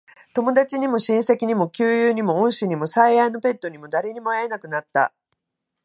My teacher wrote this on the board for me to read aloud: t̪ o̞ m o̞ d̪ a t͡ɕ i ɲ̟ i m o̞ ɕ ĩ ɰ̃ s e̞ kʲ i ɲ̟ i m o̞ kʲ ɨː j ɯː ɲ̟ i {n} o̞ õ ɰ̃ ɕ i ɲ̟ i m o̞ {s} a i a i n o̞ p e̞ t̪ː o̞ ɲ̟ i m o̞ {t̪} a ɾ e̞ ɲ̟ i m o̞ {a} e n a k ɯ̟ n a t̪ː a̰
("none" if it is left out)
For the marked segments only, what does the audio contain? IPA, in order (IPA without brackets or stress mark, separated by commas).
m, s, d̪, a